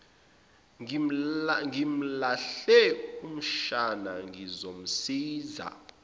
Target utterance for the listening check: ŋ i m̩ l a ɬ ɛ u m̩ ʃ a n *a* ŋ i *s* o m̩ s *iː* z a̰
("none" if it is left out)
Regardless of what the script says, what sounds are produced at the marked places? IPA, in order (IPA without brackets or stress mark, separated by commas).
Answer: a, z, iː